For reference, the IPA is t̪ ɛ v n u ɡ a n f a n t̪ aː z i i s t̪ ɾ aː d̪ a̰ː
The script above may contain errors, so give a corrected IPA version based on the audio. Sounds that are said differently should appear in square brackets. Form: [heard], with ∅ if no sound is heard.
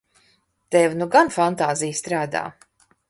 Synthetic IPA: t̪ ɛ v n u ɡ a n f a n t̪ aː z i [j] s t̪ ɾ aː d̪ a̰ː